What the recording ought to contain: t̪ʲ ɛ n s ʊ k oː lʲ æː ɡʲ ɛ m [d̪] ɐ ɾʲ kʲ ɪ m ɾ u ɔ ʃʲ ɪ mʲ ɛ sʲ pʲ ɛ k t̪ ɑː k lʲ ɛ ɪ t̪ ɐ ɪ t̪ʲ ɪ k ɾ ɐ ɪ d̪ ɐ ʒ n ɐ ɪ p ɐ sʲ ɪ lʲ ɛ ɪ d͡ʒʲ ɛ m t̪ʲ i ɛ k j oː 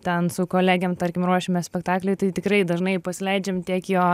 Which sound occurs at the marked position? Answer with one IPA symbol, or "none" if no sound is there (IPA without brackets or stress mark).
t̪